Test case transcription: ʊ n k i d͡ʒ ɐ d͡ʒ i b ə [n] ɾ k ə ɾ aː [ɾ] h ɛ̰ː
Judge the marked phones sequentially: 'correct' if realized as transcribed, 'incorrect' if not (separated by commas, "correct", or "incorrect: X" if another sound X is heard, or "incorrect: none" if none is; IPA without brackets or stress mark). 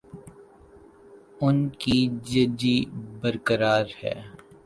incorrect: none, correct